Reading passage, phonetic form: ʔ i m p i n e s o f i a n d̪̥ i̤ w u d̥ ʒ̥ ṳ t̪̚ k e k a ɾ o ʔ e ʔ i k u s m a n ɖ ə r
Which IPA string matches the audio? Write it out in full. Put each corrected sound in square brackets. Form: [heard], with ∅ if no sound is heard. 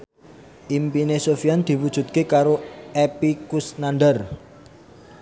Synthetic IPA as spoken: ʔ i m p i n e s o f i a n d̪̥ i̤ w u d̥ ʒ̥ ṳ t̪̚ k e k a ɾ o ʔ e [p] i k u s [n] a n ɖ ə r